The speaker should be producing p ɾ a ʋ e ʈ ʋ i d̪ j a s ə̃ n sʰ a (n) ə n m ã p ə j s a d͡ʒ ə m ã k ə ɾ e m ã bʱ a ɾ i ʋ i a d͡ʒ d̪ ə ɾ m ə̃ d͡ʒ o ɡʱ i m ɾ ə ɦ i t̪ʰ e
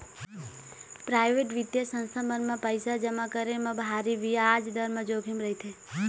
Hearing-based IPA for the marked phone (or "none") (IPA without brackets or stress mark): m